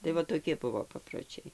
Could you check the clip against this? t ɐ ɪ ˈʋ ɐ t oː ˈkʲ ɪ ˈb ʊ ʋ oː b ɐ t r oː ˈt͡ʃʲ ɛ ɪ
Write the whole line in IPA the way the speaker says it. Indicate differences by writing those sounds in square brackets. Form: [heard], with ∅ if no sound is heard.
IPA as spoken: t ɐ ɪ ˈʋ ɐ t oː ˈkʲ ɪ ˈb ʊ ʋ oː [p] ɐ [p] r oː ˈt͡ʃʲ ɛ ɪ